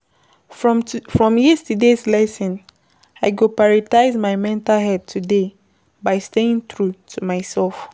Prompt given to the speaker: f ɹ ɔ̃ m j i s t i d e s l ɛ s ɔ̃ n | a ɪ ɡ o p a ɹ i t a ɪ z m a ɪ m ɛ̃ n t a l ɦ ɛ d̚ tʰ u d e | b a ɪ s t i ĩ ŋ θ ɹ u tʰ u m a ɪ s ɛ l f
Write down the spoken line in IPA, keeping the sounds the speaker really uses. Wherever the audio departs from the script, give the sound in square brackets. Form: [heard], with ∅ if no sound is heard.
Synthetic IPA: f ɹ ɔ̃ m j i s t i d e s l ɛ s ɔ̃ n | a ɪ ɡ o p a ɹ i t a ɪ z m a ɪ m ɛ̃ n t a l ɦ ɛ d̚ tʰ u d e | b a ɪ s t [e] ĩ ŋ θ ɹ u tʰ u m a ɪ s ɛ l f